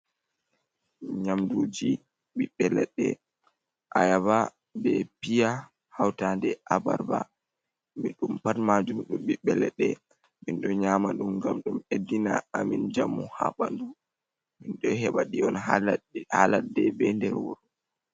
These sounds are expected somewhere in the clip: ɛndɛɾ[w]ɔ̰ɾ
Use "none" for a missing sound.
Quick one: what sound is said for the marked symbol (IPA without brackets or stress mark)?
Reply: w